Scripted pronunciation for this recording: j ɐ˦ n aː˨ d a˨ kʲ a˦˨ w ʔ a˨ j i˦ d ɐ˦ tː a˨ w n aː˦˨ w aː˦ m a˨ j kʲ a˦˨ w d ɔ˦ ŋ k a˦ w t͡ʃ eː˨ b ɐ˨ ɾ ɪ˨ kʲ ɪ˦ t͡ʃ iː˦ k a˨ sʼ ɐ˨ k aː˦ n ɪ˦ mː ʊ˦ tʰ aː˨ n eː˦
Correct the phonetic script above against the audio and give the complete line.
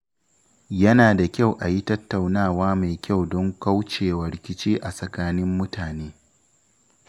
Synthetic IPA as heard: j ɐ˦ n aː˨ d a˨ kʲ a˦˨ w ʔ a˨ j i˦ t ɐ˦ tː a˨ w n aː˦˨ w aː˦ m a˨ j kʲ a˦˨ w d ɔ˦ ŋ k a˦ w t͡ʃ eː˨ w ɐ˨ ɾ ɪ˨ kʲ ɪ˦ t͡ʃ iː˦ ʔ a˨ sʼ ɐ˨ k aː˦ n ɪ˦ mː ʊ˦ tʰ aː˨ n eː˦